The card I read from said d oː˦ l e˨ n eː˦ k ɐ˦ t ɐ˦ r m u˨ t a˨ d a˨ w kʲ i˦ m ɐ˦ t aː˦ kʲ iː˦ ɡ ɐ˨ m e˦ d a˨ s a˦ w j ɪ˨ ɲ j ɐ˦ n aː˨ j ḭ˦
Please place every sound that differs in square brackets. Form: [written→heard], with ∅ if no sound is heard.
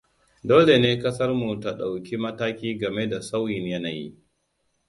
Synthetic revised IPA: d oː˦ l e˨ n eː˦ k ɐ˦ [t→s] ɐ˦ r m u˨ t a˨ [d→ɗ] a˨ w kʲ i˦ m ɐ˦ t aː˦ kʲ iː˦ ɡ ɐ˨ m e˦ d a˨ s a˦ w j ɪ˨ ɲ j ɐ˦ n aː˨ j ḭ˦